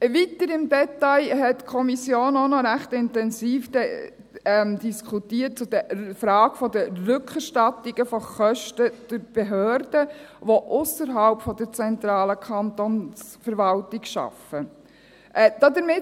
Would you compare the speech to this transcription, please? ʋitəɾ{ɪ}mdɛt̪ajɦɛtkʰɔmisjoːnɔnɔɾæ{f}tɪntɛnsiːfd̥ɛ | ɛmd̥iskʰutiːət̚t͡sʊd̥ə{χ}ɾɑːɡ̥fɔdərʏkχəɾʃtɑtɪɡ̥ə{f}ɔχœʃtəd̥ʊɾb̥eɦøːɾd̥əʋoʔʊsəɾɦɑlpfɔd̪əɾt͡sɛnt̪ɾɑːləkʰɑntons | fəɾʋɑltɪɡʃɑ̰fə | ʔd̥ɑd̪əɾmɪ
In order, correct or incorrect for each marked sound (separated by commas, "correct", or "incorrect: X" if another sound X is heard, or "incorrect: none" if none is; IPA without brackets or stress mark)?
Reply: correct, incorrect: χ, incorrect: f, correct